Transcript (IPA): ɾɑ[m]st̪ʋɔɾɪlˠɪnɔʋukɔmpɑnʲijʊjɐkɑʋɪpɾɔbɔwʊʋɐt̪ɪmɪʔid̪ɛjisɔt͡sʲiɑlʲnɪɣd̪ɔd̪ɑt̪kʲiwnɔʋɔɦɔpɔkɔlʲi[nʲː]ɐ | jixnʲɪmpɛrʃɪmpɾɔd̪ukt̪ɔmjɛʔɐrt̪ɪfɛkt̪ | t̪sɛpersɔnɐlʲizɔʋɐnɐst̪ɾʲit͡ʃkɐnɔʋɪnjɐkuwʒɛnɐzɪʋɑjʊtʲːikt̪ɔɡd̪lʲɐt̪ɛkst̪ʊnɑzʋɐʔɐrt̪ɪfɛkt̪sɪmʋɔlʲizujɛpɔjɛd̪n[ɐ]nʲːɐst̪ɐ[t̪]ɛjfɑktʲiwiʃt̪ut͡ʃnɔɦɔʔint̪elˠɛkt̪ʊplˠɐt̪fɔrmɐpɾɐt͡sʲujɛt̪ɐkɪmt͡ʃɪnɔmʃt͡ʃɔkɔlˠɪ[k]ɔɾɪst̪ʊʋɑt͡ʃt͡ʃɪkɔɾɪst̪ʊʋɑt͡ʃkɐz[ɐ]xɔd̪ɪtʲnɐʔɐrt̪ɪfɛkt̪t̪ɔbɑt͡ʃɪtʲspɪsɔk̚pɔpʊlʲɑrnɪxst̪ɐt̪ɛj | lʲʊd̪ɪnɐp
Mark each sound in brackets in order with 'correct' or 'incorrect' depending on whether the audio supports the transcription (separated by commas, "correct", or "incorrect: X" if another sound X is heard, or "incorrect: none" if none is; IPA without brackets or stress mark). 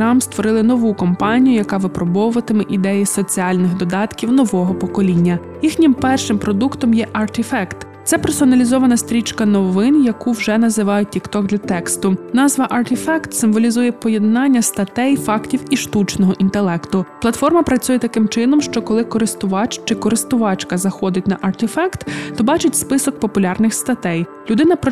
correct, correct, incorrect: ɑ, correct, correct, correct